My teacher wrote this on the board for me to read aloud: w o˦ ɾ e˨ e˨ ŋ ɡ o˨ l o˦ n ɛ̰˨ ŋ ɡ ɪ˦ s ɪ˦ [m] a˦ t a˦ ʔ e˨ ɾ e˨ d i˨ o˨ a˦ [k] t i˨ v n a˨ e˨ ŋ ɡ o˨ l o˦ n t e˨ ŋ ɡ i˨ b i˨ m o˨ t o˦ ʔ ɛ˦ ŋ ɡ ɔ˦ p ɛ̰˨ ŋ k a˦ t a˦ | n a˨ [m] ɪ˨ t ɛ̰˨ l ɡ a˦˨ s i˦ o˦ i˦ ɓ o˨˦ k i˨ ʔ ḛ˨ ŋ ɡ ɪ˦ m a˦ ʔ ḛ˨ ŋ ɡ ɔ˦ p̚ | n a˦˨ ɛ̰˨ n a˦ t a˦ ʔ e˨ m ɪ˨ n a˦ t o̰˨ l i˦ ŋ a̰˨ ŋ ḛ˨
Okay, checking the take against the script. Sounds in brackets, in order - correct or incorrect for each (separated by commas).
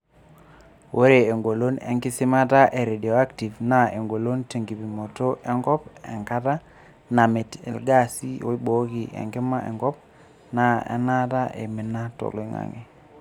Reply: correct, correct, correct